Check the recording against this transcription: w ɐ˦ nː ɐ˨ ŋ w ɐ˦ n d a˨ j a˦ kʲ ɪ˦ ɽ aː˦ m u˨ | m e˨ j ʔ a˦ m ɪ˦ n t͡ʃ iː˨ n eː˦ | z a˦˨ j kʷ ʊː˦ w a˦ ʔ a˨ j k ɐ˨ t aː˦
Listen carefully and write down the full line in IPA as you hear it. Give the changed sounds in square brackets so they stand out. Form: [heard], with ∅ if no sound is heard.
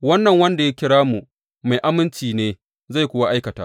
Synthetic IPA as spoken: w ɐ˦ nː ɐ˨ ŋ w ɐ˦ n d a˨ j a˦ kʲ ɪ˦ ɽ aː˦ m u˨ | m [a˨] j ʔ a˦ m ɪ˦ n t͡ʃ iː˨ n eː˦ | z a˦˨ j kʷ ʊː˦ w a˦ ʔ [a˦] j k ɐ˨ t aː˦